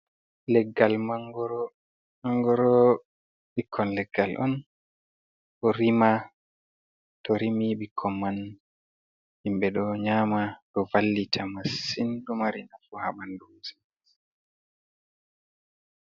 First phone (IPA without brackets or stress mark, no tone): l